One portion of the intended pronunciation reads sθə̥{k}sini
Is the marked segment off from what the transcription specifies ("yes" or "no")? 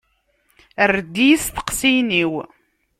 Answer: yes